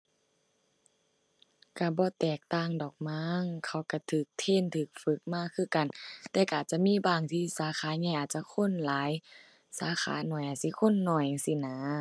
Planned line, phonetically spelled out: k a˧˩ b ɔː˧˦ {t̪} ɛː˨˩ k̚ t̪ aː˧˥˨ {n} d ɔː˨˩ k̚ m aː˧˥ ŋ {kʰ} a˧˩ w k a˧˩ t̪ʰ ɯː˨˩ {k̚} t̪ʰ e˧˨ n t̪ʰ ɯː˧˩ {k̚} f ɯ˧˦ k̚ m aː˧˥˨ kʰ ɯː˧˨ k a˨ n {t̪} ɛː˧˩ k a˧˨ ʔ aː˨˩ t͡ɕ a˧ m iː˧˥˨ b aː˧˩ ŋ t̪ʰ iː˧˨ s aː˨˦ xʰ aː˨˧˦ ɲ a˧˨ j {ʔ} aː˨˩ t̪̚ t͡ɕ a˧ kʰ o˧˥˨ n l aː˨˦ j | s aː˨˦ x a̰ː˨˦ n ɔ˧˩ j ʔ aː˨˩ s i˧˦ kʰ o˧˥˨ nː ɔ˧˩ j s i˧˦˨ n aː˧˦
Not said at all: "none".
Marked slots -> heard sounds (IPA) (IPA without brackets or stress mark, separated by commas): t̪, ŋ, kʰ, k̚, k̚, t̪, ʔ